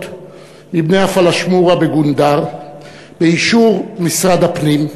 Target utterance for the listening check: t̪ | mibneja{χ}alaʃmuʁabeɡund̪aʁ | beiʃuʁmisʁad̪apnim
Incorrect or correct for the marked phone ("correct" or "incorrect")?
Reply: incorrect